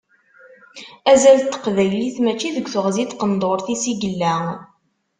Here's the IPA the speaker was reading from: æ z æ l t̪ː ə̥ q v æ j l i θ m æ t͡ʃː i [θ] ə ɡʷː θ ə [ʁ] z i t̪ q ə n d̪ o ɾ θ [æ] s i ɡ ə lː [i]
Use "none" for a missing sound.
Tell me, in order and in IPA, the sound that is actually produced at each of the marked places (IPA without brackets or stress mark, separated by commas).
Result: ð, ʁ, i, æ